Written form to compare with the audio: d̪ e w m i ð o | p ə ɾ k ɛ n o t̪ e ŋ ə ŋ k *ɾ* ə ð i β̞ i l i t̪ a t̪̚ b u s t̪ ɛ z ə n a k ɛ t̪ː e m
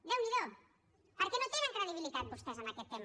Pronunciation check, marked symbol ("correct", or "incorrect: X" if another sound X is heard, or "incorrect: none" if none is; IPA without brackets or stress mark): correct